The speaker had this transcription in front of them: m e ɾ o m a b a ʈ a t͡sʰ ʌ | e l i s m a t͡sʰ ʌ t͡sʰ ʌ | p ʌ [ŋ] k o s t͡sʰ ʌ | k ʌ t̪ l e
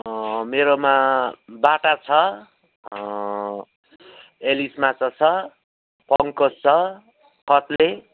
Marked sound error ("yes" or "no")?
no